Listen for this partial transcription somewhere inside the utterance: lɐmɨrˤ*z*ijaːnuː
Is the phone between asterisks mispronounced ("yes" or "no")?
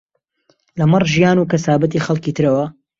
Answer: yes